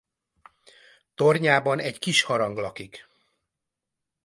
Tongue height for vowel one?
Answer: mid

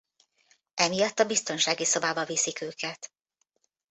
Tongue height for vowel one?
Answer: mid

